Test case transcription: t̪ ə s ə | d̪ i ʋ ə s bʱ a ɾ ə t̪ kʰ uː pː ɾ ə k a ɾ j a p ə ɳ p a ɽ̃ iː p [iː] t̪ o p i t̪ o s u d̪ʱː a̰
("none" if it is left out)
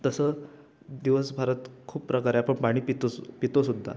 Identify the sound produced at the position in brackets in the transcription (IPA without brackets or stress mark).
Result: i